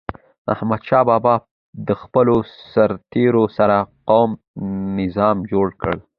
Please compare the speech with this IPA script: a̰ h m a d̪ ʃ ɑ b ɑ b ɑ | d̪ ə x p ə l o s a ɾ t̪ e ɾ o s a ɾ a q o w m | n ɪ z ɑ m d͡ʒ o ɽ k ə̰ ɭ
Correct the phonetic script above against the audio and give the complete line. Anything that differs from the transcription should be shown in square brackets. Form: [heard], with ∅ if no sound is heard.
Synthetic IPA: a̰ h m a d̪ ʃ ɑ b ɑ b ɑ | d̪ ə x p ə l o s a ɾ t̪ e ɾ o s a ɾ a q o w m | n ɪ z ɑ m d͡ʒ o ɽ k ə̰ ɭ